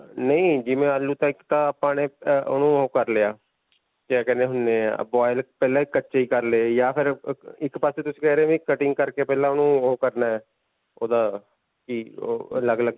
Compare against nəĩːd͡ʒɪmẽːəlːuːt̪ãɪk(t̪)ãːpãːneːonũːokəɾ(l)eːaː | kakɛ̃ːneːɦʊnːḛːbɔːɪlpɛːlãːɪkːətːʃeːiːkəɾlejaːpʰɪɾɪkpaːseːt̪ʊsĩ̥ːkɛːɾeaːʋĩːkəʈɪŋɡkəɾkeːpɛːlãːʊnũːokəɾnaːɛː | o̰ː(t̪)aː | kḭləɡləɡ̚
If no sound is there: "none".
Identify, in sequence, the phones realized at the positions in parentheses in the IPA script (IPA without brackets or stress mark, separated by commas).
t̪, l, d̪